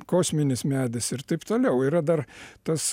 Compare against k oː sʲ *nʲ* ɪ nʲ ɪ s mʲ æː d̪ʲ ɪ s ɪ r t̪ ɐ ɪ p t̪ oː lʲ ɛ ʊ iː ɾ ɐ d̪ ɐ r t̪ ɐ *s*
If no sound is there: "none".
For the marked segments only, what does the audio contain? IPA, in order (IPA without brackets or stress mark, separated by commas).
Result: mʲ, s